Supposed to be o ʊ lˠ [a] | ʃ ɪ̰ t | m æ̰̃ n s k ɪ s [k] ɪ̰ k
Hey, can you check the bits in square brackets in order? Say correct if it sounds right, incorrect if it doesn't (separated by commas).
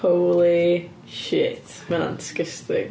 incorrect, incorrect